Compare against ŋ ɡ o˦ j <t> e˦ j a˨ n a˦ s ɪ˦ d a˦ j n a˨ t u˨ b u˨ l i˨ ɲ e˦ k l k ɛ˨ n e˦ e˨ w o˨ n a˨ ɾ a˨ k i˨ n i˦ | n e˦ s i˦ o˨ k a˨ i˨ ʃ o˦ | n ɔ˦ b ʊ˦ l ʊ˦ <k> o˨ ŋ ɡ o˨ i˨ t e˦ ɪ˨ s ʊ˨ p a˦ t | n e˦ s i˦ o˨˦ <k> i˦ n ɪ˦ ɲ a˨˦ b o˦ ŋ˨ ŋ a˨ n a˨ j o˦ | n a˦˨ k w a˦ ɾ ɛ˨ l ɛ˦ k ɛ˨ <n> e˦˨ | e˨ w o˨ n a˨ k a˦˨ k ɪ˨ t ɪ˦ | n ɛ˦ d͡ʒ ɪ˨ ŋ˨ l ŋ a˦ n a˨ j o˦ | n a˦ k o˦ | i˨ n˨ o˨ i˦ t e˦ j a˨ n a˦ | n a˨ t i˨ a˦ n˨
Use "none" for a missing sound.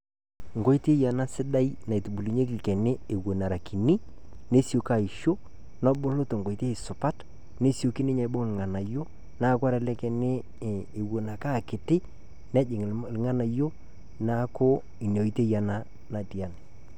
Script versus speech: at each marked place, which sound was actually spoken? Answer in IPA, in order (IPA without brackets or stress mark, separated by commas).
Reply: t, t, k, n